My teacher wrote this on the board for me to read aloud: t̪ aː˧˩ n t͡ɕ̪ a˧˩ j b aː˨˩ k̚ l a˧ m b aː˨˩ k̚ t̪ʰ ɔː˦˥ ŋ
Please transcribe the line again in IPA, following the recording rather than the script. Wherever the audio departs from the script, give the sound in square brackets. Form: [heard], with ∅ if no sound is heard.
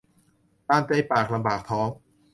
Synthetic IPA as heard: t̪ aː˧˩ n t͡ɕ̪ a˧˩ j [p] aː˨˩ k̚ l a˧ m b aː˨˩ k̚ t̪ʰ ɔː˦˥ ŋ